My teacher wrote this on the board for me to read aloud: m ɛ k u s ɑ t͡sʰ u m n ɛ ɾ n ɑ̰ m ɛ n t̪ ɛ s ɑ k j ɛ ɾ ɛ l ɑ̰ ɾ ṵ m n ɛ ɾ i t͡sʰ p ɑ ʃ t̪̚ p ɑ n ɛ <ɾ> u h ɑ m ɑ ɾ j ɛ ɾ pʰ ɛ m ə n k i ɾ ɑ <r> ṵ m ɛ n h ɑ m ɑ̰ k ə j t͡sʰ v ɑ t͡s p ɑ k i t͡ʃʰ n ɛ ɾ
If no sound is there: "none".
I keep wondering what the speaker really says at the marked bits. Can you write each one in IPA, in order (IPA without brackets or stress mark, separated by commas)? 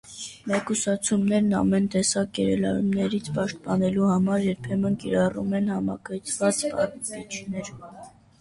l, r